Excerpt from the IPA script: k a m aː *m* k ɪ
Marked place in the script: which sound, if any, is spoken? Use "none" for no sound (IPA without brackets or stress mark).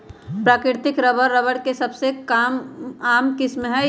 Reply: m